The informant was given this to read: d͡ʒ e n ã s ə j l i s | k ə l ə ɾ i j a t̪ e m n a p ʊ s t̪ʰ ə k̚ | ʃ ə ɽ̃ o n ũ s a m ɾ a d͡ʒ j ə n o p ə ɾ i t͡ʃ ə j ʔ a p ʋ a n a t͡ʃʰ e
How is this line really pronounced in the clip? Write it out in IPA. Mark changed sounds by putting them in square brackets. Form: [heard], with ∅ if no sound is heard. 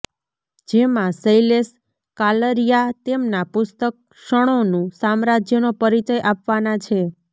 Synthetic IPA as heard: d͡ʒ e [m] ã s ə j l [e] s | k [a] l ə ɾ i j a t̪ e m n a p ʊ s [t̪] ə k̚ | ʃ ə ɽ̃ o n ũ s a m ɾ a d͡ʒ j ə n o p ə ɾ i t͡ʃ ə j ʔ a p ʋ a n a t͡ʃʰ e